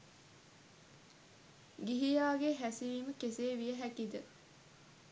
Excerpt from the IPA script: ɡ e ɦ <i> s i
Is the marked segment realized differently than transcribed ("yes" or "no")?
yes